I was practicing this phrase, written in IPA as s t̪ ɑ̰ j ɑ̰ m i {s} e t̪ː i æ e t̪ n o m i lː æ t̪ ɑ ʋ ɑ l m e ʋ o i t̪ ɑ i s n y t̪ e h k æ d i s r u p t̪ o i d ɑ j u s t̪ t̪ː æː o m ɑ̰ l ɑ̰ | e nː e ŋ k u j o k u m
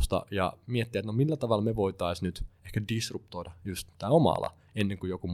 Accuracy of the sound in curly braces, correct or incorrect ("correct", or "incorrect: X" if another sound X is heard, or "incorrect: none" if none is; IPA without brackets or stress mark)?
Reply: incorrect: none